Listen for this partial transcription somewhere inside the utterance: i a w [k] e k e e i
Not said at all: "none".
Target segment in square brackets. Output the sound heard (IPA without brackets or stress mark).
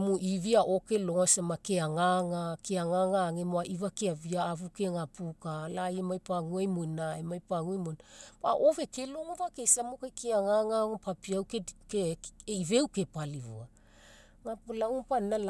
k